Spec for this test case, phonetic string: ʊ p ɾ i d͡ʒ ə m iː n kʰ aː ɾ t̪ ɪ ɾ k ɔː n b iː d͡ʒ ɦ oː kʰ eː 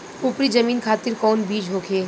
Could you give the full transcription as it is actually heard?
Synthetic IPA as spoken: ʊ p ɾ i d͡ʒ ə m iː n kʰ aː t̪ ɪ ɾ k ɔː n b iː d͡ʒ ɦ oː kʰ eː